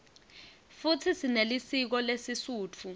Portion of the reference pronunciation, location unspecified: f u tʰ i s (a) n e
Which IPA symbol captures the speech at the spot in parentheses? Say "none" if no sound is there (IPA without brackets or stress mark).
i